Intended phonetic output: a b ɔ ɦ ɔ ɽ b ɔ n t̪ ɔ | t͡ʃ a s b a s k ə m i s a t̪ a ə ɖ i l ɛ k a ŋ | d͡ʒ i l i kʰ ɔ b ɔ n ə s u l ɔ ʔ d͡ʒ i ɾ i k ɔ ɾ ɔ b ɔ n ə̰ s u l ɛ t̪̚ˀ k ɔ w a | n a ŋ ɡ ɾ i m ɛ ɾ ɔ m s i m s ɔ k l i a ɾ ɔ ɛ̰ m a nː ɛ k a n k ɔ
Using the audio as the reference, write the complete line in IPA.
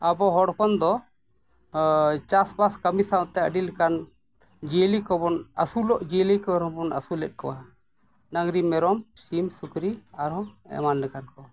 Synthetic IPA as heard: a b ɔ ɦ ɔ ɽ p ɔ n d̪ ɔ | t͡ʃ a s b a s k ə m i s a t̪ ɛ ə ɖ i l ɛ k a n | d͡ʒ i l i k ɔ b ɔ n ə s u l ɔ ʔ d͡ʒ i l i k ɔ ɾ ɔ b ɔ n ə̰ s u l ɛ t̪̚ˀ k ɔ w a | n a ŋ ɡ ɾ i m ɛ ɾ ɔ m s i m s u k ɾ i a ɾ ɔ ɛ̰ m a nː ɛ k a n k ɔ